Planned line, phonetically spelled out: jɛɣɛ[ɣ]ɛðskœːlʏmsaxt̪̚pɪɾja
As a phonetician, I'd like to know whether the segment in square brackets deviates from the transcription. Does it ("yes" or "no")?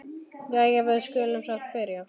yes